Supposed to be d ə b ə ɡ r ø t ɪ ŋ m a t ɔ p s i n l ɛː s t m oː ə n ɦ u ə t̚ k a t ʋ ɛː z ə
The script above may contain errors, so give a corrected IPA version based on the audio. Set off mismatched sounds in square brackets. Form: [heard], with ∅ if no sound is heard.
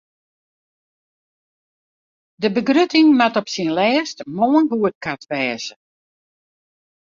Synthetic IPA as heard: d ə b ə ɡ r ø t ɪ ŋ m a t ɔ p s i n l ɛː s t m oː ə n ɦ u ə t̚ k a t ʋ ɛː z ə